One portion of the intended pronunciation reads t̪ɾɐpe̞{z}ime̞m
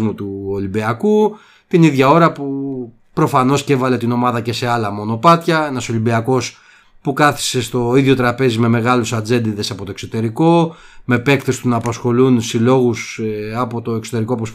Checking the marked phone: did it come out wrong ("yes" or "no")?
no